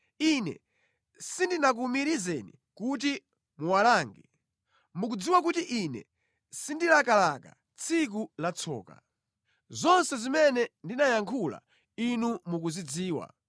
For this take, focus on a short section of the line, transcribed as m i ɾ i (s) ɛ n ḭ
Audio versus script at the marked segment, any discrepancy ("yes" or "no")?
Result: yes